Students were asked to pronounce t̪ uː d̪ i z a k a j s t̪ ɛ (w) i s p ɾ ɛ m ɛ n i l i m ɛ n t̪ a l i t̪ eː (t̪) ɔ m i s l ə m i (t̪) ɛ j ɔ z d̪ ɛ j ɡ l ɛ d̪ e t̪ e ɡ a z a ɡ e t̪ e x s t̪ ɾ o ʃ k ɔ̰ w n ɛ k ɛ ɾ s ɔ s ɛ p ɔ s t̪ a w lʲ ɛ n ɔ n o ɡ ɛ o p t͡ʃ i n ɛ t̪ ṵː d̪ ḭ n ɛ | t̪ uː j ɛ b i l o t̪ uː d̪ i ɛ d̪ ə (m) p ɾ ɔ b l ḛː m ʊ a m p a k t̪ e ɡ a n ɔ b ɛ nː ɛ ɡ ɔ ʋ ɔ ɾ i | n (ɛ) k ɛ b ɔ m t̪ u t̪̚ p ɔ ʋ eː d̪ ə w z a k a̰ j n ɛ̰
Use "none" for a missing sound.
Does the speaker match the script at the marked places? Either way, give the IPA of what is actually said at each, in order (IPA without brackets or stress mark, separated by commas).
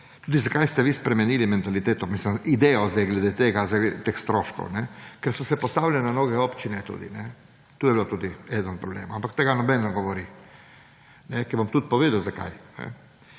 ʋ, t̪, d̪, n, ɛ